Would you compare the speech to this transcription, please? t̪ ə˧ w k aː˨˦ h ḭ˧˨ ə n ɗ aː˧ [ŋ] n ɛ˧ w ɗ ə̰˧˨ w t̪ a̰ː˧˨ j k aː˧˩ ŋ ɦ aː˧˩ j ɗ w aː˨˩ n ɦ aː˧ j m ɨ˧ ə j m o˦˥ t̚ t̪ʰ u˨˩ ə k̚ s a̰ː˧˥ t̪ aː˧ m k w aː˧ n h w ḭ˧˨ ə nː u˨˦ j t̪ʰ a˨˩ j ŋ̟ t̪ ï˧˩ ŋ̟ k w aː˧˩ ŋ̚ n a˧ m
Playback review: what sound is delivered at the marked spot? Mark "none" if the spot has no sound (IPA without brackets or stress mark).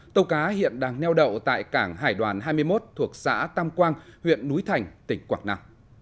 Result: ŋ